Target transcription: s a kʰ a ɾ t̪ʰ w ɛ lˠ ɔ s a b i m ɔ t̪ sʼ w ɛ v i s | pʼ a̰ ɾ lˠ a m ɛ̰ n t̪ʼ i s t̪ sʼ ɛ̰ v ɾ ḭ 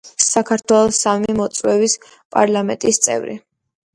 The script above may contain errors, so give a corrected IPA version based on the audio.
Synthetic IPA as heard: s a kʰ a ɾ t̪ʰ w ɛ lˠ ɔ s a m i m ɔ t̪ sʼ w ɛ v i s | pʼ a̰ ɾ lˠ a m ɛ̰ n t̪ʼ i s t̪ sʼ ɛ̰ v ɾ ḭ